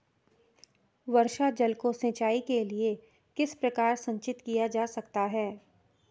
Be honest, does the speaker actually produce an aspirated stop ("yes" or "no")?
no